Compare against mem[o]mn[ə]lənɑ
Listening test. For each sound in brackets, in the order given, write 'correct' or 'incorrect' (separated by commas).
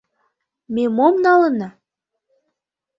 correct, incorrect